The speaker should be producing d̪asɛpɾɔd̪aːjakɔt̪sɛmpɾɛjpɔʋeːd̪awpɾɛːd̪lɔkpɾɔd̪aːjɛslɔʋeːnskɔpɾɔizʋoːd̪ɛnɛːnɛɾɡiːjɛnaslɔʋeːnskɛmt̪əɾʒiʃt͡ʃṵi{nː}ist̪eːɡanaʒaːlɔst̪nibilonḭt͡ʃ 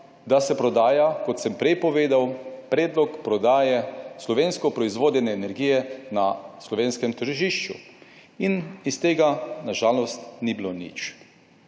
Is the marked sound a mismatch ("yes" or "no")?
yes